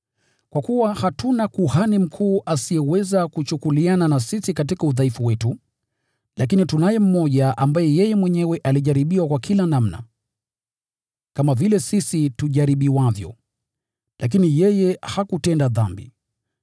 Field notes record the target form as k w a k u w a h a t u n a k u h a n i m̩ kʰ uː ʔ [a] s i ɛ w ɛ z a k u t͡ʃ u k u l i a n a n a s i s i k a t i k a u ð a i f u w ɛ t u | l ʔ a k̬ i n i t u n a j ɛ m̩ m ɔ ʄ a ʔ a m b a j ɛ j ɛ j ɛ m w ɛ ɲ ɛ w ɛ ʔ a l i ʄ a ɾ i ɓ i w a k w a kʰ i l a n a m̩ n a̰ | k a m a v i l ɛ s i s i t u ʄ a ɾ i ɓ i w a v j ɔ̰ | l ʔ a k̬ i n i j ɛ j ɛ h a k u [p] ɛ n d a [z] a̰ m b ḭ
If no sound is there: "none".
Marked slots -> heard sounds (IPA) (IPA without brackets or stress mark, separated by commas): a, t, ð